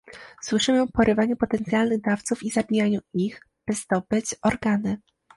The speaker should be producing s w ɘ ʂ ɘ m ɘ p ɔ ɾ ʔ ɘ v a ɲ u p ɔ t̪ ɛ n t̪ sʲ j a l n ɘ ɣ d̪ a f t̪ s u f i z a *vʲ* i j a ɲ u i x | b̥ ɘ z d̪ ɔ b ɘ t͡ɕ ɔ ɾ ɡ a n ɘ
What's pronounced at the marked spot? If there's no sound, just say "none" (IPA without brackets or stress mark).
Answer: bʲ